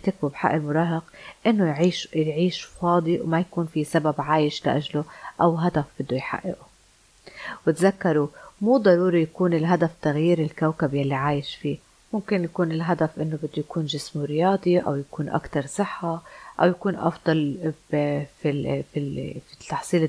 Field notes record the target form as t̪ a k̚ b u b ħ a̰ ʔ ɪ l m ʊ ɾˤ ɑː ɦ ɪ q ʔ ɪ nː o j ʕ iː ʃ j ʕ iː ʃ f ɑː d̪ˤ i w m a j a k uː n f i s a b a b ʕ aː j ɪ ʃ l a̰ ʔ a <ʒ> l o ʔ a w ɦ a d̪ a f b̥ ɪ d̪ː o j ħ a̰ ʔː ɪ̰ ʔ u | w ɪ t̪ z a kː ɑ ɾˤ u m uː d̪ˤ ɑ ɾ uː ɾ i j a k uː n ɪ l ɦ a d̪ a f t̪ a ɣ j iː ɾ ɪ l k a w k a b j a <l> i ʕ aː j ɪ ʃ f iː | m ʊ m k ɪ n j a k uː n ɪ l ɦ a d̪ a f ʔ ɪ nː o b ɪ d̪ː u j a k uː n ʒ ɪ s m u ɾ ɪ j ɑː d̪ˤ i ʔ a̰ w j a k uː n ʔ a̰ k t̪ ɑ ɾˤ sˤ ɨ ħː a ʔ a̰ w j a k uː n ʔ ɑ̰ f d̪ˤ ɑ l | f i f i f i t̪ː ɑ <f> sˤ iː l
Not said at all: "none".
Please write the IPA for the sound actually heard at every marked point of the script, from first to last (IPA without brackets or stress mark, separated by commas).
ʒ, lː, ħ